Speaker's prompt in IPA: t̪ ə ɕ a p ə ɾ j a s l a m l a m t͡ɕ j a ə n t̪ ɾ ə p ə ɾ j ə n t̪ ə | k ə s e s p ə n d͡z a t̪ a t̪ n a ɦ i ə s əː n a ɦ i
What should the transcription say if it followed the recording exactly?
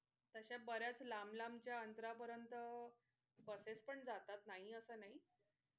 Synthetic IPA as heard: t̪ ə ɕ a b ə ɾ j a t͡s l a m l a m t͡ɕ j a ə n t̪ ɾ a p ə ɾ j ə n t̪ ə | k ə s e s p ə ɳ d͡z a t̪ a t̪ n a ɦ i ə s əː n a ɦ i